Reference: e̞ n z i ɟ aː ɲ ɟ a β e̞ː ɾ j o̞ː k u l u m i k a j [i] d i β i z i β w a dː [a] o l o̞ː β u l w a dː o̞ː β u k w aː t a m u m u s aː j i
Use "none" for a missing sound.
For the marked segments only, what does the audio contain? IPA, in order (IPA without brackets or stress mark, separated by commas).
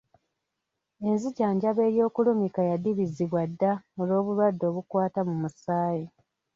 a, a